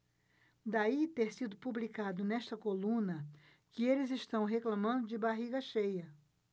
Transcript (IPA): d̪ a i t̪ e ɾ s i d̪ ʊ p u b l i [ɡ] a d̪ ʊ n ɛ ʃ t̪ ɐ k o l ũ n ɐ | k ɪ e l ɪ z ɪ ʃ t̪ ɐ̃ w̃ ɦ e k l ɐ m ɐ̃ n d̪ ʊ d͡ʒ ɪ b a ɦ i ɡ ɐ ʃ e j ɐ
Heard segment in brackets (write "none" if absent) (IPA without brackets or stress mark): k